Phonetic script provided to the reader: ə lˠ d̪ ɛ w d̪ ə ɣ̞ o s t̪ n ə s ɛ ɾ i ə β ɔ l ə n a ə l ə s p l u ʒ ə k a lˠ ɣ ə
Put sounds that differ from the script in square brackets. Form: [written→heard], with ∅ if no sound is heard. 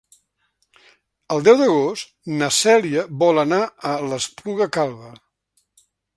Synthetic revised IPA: ə lˠ d̪ ɛ w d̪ ə ɣ̞ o s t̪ n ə s ɛ [ɾ→l] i ə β ɔ l ə n a ə l ə s p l u [ʒ→ɣ] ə k a lˠ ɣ ə